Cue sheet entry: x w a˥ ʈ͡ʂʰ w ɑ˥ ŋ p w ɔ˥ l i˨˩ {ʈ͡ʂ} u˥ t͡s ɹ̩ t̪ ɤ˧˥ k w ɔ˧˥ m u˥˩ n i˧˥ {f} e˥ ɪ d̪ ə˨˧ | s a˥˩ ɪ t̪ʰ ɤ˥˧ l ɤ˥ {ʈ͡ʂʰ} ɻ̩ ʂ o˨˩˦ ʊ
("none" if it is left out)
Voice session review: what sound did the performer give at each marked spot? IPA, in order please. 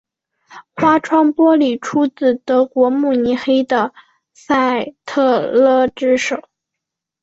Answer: ʈ͡ʂʰ, x, ʈ͡ʂ

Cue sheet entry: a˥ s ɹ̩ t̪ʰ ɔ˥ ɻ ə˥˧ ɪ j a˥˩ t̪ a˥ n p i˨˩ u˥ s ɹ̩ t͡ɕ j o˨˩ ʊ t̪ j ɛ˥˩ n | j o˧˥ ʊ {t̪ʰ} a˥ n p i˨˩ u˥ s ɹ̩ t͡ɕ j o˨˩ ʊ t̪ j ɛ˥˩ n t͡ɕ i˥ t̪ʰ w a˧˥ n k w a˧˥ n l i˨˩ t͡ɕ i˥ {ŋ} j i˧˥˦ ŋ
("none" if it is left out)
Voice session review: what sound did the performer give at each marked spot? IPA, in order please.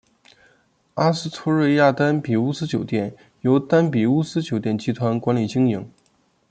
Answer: t̪, ŋ

